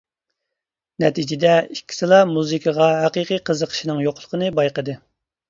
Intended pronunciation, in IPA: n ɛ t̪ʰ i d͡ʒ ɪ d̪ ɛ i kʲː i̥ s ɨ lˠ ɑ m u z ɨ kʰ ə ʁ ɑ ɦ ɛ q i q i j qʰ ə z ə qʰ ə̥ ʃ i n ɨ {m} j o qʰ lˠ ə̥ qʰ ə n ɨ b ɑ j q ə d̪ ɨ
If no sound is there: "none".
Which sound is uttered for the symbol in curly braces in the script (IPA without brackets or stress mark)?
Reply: ŋ